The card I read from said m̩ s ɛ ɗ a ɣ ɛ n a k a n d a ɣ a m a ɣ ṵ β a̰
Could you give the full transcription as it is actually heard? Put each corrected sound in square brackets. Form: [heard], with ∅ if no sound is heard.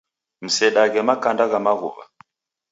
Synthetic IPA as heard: m̩ s ɛ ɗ a ɣ ɛ [m] a k a n d a ɣ a m a ɣ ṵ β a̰